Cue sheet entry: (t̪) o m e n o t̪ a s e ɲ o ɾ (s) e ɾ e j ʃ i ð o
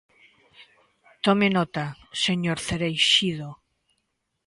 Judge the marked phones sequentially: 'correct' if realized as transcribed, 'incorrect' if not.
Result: correct, incorrect: θ

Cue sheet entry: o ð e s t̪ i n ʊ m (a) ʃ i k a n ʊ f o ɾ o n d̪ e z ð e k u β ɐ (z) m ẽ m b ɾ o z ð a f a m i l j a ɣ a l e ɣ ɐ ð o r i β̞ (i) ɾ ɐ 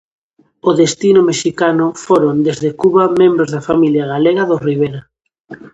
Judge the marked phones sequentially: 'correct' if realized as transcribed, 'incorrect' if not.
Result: incorrect: e, incorrect: none, incorrect: e

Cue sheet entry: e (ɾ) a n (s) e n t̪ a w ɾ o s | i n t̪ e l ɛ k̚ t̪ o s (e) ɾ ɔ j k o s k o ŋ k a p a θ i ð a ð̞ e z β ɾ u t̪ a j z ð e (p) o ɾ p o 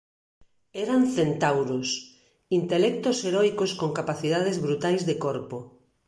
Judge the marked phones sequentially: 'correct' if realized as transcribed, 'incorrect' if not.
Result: correct, incorrect: θ, correct, incorrect: k

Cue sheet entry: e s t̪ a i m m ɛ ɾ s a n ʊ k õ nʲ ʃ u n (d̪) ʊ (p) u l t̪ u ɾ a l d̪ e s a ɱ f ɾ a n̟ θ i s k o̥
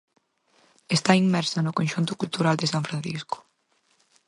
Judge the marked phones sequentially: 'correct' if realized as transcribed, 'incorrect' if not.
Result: incorrect: t̪, incorrect: k

